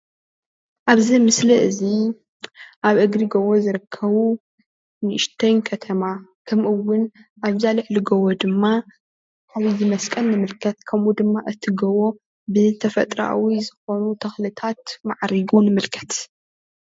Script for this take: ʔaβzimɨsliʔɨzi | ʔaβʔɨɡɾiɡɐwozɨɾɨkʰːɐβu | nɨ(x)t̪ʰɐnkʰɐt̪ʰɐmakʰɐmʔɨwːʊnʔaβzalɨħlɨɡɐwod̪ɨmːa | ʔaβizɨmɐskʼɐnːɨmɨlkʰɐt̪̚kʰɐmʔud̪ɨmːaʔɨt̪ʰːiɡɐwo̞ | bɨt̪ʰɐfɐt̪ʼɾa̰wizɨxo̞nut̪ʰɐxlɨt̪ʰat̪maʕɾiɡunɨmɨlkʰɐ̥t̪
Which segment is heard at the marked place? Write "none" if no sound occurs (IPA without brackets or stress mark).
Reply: ʃ